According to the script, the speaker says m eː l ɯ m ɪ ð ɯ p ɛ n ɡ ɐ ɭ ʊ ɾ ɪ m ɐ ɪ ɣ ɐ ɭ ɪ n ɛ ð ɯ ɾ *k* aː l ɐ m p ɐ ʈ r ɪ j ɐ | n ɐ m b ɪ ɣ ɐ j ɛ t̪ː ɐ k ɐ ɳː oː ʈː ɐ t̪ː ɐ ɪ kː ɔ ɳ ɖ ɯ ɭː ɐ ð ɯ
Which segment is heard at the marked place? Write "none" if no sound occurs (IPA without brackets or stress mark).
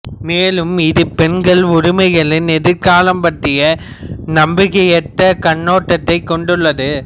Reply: k